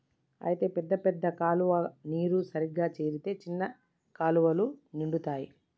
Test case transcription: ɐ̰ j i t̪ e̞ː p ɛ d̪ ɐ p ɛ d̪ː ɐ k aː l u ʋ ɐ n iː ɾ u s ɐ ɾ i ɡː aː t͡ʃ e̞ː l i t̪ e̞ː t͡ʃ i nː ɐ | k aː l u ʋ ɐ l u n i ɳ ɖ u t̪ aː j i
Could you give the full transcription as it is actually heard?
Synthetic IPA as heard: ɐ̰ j i t̪ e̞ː p ɛ d̪ː ɐ p ɛ d̪ː ɐ k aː l u ʋ ɐ n iː ɾ u s ɐ ɾ i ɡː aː t͡ʃ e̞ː ɾ i t̪ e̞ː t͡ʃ i nː ɐ | k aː l u ʋ ɐ l u n i ɳ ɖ u t̪ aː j i